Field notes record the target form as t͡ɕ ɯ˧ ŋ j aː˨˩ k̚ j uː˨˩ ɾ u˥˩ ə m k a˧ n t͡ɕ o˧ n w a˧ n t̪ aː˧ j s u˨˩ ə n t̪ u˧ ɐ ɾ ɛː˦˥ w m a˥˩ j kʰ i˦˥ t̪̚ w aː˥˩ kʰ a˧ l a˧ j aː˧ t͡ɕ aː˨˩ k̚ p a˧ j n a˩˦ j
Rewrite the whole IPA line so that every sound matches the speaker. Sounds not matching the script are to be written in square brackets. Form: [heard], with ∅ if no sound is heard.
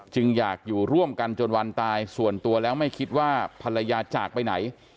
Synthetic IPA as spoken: t͡ɕ ɯ˧ ŋ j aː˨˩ k̚ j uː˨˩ ɾ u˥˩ ə m k a˧ n t͡ɕ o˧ n w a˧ n t̪ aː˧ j s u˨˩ ə n t̪ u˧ ɐ [l] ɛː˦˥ w m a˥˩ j kʰ i˦˥ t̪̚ w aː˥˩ [pʰ] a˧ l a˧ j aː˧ t͡ɕ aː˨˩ k̚ p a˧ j n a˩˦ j